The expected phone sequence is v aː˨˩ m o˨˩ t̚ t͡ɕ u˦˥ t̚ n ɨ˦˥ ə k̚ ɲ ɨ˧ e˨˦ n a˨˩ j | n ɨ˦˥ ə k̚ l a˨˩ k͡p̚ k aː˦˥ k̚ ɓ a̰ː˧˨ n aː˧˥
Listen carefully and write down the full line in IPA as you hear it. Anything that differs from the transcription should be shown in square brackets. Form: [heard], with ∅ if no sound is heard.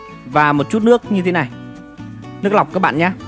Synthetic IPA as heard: v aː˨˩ m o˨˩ t̚ t͡ɕ u˦˥ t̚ n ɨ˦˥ ə k̚ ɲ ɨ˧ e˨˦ n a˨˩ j | n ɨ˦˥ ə k̚ l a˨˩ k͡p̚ k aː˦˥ k̚ ɓ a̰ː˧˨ [ɲ] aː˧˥